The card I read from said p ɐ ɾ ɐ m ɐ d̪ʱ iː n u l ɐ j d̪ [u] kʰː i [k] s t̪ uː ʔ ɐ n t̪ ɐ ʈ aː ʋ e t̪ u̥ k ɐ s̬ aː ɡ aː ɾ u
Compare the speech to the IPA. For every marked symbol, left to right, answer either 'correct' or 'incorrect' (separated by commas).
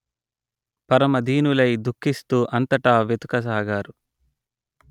correct, incorrect